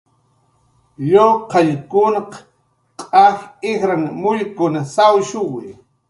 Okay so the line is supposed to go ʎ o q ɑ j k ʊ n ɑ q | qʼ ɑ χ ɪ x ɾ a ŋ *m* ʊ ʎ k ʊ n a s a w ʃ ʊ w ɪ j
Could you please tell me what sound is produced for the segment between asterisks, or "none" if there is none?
m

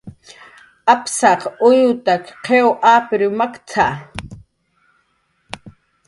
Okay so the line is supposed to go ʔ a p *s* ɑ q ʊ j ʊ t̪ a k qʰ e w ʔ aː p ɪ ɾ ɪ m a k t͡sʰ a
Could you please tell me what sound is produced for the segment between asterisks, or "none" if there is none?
s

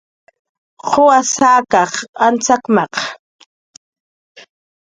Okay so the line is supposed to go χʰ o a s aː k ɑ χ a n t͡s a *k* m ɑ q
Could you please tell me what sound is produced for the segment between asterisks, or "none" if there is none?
k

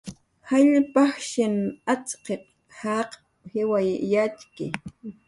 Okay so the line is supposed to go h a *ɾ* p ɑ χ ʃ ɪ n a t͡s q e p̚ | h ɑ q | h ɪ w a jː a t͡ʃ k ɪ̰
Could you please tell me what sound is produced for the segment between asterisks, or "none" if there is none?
ʎ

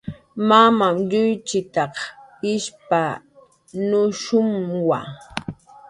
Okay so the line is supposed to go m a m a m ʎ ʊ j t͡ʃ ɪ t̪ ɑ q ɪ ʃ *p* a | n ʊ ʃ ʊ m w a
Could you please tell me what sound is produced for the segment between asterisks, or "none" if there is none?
p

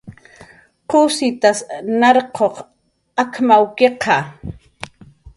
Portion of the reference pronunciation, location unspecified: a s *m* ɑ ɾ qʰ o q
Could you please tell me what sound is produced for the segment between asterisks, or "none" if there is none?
n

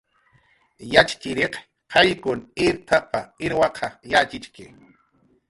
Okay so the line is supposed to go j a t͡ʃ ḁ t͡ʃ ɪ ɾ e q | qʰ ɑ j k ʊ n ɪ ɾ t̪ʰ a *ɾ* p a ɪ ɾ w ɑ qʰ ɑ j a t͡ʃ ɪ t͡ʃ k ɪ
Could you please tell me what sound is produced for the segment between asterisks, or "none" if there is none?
none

